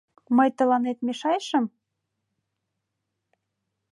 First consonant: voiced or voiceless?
voiced